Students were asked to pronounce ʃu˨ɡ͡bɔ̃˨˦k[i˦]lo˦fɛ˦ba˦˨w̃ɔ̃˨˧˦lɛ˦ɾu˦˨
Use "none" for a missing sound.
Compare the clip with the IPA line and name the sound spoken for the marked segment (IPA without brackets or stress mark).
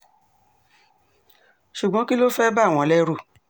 i˦